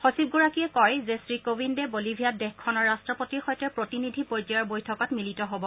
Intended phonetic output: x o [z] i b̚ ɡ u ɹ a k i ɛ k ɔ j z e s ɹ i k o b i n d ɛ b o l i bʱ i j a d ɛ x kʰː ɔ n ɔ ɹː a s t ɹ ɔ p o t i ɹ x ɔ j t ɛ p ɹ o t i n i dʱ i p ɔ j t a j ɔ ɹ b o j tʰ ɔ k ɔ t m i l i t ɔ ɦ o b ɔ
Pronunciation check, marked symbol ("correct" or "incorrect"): incorrect